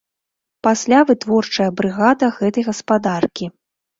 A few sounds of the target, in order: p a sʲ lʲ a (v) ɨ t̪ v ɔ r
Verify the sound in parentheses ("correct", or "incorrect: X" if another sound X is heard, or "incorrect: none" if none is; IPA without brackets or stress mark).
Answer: correct